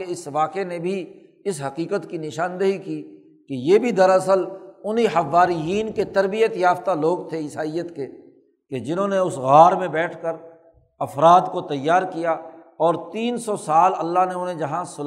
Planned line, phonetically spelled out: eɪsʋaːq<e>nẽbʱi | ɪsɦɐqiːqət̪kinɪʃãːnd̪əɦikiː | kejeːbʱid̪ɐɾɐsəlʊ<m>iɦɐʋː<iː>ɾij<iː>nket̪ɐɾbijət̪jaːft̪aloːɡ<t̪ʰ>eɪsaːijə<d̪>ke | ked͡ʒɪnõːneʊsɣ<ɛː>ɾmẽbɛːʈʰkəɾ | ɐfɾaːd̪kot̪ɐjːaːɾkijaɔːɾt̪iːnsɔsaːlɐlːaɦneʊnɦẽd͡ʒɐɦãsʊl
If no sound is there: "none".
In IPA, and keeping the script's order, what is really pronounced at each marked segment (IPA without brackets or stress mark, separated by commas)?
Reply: e, n, aː, iː, t̪ʰ, t̪, aː